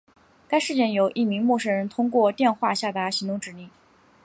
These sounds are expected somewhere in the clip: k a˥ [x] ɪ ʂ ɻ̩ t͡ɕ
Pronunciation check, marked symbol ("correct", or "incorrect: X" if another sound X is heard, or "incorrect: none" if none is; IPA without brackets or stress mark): incorrect: none